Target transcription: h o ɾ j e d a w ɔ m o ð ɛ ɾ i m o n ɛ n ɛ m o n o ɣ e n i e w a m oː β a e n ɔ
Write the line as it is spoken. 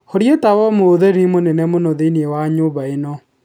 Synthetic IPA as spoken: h o ɾ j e t a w ɔ m o ð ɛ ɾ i m o n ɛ n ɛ m o n o ð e n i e w a ɲ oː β a e n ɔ